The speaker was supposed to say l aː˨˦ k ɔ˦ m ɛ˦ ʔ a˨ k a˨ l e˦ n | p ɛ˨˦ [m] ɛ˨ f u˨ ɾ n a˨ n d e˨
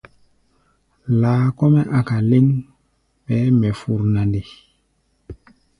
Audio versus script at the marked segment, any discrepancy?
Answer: no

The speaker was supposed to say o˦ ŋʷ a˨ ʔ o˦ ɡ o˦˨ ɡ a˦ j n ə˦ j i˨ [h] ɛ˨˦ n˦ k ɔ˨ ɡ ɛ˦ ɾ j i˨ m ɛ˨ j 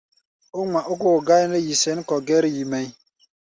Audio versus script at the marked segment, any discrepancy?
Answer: yes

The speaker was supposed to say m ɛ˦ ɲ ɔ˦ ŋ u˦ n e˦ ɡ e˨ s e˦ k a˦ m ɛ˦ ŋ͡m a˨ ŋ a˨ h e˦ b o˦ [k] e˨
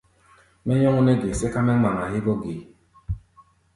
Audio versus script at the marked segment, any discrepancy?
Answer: yes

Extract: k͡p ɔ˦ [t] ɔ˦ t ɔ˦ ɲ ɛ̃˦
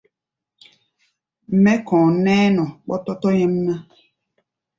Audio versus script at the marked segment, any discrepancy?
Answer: no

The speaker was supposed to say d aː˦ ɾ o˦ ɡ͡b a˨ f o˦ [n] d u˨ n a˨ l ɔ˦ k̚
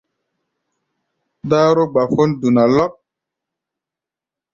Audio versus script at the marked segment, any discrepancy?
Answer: no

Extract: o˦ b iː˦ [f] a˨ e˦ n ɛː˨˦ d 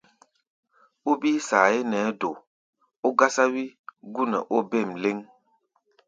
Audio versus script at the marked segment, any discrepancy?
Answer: yes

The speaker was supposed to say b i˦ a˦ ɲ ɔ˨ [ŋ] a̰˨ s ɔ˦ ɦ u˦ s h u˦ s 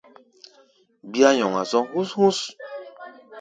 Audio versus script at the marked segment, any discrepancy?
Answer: no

